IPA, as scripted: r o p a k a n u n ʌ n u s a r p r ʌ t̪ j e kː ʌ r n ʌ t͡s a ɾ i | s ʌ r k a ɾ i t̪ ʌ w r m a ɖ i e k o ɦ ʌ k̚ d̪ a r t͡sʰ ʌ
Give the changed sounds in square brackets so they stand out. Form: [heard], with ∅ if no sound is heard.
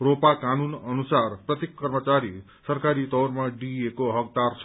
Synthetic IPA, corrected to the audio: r o p a k a n u n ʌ n u s a r p r ʌ t̪ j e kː ʌ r [m] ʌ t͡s a ɾ i | s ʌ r k a ɾ i t̪ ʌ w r m a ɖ i e k o ɦ ʌ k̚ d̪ a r t͡sʰ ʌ